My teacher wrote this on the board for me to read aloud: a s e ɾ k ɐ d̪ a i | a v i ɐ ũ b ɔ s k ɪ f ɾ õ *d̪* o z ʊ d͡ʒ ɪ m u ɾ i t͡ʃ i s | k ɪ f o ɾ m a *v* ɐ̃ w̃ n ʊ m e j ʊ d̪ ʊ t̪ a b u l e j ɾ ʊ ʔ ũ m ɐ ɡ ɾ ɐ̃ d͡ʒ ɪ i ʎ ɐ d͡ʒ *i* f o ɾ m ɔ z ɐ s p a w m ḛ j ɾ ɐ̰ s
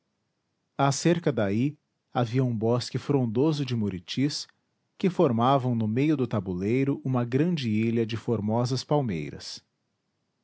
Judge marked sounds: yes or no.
yes, yes, no

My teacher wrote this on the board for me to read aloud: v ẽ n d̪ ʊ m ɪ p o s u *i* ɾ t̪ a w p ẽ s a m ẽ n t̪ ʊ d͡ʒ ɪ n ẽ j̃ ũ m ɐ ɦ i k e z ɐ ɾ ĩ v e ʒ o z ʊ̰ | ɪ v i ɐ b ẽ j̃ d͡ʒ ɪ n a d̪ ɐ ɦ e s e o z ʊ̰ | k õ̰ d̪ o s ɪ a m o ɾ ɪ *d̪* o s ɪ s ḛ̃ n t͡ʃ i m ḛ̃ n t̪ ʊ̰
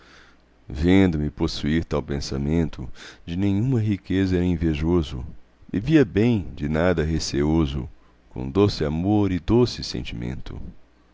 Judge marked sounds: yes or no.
yes, yes

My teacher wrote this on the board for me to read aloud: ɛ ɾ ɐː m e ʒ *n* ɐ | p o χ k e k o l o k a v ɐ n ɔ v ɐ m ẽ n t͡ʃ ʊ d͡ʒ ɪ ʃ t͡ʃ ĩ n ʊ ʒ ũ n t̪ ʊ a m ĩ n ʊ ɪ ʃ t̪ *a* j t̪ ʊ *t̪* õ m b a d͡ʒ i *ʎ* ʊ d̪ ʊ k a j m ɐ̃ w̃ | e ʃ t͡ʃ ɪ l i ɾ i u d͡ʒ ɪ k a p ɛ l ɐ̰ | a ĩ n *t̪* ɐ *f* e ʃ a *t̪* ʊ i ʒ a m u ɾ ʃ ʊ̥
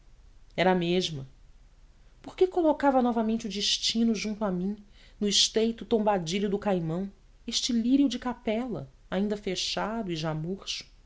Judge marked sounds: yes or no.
no, no, yes, yes, no, yes, no

